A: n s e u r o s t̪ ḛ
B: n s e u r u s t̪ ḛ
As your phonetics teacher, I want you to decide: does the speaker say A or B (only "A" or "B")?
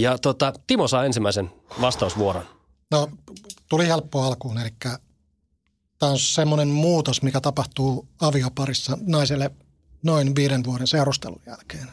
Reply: B